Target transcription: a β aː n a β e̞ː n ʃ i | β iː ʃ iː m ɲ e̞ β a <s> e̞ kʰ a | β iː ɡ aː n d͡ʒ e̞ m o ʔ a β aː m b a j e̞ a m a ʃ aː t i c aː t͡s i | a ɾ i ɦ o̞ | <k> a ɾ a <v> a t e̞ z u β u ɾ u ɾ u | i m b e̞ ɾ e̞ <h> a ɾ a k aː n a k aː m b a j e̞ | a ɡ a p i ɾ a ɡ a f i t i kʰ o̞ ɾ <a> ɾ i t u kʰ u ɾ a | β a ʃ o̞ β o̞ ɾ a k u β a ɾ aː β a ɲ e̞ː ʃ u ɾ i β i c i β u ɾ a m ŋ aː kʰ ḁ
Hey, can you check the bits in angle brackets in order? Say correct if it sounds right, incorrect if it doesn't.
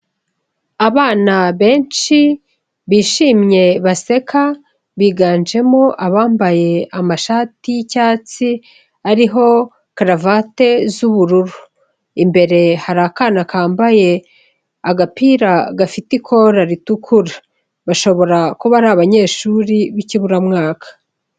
correct, correct, correct, correct, correct

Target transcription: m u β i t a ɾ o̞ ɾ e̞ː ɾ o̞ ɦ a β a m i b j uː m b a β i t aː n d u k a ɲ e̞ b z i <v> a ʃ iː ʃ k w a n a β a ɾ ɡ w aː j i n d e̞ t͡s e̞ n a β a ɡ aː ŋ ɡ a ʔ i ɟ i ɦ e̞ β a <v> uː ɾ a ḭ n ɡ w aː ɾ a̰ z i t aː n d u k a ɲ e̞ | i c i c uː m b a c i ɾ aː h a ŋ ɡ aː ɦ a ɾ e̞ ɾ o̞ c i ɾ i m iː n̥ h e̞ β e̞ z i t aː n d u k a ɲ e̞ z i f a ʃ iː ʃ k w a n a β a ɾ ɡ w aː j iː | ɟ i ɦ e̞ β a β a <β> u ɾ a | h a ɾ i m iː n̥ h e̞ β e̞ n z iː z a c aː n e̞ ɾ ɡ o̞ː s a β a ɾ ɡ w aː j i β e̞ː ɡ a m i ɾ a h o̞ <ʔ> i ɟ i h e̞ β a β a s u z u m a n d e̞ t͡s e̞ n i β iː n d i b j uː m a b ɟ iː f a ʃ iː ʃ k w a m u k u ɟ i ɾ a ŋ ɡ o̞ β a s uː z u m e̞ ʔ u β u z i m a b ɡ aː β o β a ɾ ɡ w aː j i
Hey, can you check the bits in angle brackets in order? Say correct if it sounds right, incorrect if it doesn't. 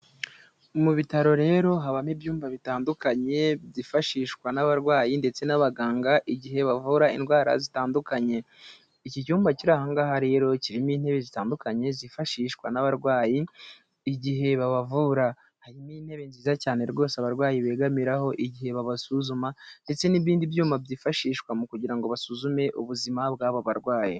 incorrect, correct, incorrect, correct

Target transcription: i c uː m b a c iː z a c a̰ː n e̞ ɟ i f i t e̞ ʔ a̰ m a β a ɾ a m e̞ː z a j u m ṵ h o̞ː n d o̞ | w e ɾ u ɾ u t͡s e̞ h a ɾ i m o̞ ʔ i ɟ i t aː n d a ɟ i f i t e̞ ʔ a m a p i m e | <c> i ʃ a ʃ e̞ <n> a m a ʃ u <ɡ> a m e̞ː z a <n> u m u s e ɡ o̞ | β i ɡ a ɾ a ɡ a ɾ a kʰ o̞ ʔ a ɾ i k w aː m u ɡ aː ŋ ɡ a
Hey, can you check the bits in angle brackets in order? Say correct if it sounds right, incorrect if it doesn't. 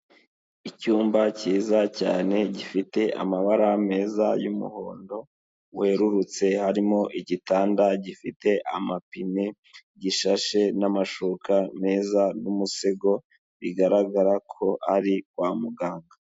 incorrect, correct, incorrect, correct

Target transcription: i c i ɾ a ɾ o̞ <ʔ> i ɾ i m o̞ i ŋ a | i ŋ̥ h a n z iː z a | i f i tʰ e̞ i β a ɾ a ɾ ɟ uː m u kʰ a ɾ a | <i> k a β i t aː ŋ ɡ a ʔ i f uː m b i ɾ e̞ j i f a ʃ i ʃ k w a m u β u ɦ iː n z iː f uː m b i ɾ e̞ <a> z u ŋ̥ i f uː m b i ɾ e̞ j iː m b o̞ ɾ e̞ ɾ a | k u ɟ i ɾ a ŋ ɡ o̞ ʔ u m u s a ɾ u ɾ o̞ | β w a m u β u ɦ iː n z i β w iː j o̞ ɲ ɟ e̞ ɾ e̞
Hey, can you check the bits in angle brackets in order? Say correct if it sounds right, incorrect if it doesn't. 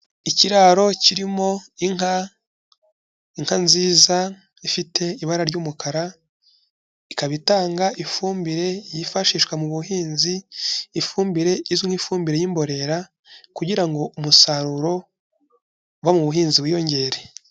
incorrect, correct, incorrect

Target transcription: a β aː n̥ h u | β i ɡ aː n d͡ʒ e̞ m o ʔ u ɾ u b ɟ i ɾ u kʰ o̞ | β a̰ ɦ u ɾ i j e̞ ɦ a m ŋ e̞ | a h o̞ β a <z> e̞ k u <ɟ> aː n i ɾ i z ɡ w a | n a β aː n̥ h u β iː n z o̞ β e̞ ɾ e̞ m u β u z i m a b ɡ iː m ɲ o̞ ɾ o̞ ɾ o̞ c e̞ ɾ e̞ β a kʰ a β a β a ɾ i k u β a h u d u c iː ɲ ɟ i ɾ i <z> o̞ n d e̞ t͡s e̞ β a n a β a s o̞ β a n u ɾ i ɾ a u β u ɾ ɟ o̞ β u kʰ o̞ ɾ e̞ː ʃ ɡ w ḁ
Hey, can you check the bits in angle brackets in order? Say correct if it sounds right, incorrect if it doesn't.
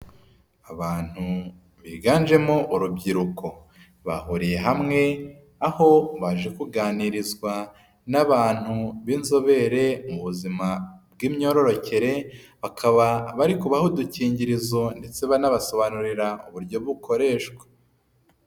incorrect, incorrect, correct

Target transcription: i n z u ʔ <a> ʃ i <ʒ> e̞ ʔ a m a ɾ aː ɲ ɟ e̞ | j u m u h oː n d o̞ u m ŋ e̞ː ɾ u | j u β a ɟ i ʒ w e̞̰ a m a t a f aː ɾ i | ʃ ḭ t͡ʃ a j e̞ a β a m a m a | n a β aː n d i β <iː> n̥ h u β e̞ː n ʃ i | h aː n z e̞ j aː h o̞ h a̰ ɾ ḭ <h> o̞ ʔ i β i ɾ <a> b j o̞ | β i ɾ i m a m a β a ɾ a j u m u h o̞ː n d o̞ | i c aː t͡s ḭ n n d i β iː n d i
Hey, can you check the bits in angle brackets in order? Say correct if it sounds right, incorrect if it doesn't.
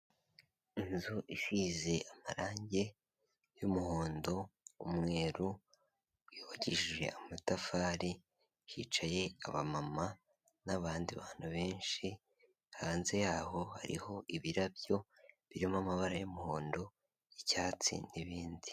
incorrect, incorrect, incorrect, correct, correct

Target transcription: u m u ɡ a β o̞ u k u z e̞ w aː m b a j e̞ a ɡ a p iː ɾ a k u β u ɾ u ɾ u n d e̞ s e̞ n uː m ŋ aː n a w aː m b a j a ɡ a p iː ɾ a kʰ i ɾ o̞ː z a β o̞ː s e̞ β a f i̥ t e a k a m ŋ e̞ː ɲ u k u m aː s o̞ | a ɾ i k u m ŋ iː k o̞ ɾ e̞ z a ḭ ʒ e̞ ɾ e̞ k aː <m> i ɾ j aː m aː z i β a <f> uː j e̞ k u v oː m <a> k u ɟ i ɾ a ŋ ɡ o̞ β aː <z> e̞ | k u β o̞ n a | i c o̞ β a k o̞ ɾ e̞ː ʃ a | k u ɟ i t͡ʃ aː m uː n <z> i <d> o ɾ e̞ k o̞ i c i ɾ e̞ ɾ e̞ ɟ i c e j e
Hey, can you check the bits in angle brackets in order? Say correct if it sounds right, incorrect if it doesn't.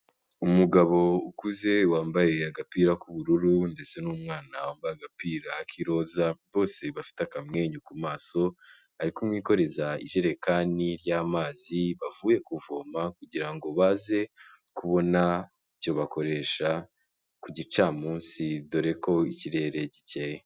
incorrect, incorrect, correct, correct, incorrect, correct

